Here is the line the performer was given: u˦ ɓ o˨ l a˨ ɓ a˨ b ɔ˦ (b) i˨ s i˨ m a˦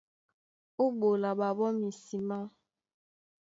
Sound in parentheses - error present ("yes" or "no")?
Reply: yes